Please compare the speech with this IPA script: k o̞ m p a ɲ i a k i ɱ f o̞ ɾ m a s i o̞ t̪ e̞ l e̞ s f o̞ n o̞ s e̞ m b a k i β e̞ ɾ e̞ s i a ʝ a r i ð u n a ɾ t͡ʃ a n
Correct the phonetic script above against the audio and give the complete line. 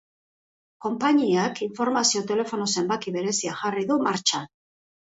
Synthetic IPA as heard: k o̞ m p a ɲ i a k i ɱ f o̞ ɾ m a s i o̞ t̪ e̞ l e̞ f o̞ n o̞ s e̞ m b a k i β e̞ ɾ e̞ s i a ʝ a r i ð u m a ɾ t͡ʃ a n